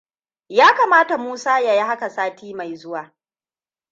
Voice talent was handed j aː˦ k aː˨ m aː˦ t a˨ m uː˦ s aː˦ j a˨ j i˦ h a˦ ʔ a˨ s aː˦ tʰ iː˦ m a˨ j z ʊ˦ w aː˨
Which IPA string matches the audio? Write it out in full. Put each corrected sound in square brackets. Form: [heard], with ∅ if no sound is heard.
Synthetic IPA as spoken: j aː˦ k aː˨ m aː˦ t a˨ m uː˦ s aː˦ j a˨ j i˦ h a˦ [k] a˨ s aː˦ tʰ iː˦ m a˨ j z ʊ˦ w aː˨

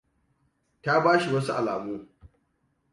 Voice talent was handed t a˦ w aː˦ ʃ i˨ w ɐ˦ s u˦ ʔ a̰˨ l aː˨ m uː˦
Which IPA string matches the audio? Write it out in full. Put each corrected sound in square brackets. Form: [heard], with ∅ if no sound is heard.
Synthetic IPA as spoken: t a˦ [b] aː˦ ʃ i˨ w ɐ˦ s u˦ ʔ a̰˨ l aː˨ m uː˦

